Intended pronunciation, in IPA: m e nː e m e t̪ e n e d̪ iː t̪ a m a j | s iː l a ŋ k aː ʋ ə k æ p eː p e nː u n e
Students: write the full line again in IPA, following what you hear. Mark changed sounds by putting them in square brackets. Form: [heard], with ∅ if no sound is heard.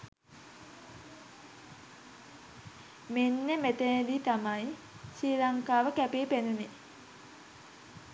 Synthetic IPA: m e nː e m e t̪ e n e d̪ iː t̪ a m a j | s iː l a ŋ k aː ʋ ə k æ p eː p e [n] u n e